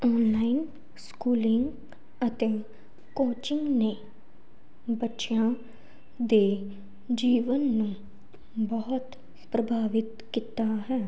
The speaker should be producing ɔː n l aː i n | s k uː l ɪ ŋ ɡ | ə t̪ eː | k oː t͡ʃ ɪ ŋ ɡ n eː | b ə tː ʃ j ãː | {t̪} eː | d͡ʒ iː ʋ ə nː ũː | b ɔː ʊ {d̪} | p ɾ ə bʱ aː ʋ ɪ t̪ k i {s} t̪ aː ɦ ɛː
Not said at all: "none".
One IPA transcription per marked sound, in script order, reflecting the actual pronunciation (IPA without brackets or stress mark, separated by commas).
d̪, t̪, none